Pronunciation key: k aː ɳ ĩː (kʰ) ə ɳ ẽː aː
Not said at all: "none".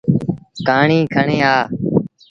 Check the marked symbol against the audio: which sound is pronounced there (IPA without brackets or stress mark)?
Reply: kʰ